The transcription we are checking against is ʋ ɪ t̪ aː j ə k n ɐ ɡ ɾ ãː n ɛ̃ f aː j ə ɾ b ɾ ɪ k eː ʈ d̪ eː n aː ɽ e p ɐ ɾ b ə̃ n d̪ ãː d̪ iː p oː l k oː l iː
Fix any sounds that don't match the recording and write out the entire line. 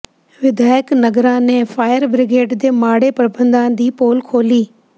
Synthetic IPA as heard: ʋ ɪ d̪ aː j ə k n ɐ ɡ ɾ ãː n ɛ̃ f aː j ə ɾ b ɾ ɪ ɡ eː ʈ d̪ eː m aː ɽ e p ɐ ɾ b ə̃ n d̪ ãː d̪ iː p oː l kʰ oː l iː